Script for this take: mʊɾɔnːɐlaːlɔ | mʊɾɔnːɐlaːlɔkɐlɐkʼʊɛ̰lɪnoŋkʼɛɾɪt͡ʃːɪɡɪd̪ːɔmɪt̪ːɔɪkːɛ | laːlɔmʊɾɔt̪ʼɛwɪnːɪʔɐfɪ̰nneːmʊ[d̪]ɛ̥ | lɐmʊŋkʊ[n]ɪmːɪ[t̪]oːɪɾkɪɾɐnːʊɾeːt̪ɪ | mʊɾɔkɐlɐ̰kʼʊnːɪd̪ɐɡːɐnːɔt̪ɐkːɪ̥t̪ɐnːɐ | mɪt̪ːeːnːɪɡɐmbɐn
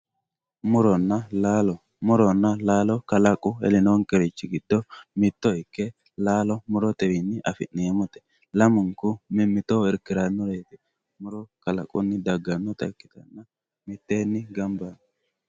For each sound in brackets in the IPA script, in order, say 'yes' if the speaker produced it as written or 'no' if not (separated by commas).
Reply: no, no, yes